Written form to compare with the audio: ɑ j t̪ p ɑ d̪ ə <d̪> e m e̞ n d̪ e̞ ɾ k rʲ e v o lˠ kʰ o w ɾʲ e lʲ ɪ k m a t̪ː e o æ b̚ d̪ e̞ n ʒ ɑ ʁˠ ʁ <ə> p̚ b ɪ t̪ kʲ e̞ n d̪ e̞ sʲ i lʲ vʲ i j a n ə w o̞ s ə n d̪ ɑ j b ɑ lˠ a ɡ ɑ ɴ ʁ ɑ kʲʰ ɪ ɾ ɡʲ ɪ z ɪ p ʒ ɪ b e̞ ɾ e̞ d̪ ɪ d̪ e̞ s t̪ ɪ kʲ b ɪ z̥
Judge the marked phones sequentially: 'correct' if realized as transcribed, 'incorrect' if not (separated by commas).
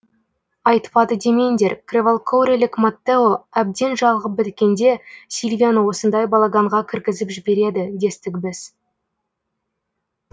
correct, correct